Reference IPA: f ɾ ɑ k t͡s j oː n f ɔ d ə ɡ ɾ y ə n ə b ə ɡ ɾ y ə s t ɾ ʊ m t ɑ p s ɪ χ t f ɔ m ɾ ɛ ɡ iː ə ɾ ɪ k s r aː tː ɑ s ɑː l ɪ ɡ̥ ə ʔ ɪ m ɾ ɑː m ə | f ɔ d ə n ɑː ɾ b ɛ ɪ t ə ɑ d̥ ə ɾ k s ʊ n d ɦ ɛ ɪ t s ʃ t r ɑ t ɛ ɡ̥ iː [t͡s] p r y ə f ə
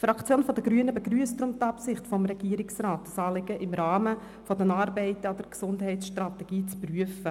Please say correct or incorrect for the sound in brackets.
correct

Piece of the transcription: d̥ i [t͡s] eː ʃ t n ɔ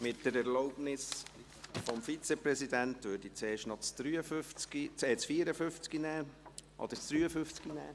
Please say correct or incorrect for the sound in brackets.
correct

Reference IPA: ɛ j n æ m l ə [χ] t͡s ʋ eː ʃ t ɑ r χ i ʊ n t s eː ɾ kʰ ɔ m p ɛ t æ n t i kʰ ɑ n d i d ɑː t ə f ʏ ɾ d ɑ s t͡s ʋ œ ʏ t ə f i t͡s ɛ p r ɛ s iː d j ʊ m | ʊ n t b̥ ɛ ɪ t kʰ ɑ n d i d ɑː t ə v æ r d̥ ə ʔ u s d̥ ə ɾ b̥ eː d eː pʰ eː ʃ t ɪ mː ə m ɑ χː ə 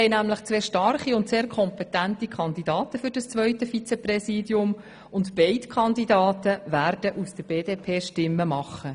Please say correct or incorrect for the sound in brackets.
correct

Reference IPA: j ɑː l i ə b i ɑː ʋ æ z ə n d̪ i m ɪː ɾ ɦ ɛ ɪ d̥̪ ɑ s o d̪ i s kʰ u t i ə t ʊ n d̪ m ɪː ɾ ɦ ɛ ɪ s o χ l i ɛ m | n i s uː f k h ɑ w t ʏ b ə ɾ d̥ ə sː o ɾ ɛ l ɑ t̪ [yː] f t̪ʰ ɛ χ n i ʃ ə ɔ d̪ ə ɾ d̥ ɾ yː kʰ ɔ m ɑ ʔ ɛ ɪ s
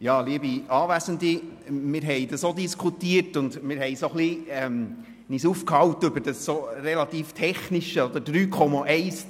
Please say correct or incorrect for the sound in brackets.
incorrect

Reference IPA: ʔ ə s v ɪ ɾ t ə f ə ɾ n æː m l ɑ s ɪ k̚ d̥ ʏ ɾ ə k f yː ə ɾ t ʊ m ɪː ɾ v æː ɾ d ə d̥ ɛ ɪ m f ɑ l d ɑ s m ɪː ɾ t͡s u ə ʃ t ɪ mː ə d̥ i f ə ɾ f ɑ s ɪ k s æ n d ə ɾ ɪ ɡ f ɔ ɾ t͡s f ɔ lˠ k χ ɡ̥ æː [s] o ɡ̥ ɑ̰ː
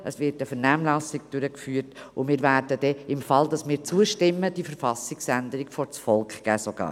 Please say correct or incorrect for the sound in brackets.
correct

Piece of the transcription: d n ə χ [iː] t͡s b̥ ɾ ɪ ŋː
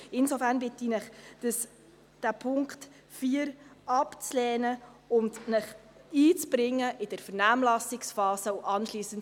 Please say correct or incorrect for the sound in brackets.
correct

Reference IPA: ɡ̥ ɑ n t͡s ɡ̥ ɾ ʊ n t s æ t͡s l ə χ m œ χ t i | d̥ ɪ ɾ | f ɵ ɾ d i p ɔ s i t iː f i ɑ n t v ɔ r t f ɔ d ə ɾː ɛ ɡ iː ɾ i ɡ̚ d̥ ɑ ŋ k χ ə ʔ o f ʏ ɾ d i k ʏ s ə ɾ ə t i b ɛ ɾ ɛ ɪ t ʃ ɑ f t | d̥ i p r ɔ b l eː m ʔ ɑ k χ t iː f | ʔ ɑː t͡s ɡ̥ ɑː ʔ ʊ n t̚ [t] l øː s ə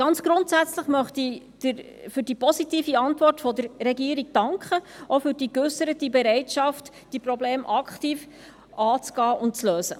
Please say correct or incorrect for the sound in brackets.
incorrect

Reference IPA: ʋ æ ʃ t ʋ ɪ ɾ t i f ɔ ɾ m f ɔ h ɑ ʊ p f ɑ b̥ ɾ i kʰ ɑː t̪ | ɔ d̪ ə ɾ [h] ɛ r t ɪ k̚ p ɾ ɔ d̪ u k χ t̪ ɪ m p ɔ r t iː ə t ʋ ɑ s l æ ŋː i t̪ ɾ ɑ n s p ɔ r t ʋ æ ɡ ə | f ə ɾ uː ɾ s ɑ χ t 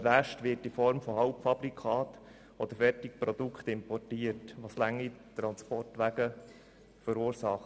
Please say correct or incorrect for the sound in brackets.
incorrect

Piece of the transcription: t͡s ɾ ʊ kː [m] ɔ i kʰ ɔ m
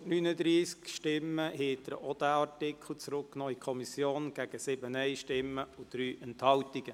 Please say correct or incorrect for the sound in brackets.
incorrect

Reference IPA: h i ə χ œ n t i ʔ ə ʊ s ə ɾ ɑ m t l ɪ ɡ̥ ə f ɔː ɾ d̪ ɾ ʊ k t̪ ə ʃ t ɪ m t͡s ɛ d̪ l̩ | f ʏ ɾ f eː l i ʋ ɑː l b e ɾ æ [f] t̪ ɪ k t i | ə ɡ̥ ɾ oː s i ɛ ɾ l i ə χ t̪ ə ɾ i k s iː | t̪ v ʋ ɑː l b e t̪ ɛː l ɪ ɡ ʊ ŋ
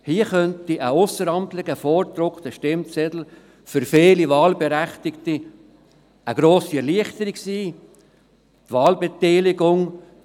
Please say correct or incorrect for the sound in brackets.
incorrect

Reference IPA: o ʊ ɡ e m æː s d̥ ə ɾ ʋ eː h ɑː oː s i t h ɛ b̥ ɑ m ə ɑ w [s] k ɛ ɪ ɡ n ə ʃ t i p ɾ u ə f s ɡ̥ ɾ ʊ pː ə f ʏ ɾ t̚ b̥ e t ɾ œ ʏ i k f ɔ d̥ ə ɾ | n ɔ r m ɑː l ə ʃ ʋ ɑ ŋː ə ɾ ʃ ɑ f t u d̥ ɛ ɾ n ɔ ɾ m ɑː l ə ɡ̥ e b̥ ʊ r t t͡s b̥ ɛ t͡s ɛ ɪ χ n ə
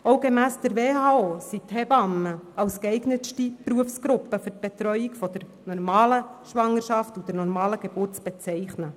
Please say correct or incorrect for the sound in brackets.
correct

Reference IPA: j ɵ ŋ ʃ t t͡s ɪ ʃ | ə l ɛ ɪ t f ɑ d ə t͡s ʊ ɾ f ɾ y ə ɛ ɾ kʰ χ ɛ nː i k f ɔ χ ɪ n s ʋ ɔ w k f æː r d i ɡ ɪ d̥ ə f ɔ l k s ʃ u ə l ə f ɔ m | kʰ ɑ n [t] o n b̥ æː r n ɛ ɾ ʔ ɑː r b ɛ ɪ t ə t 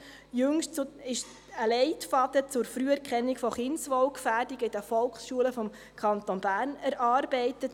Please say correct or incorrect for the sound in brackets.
correct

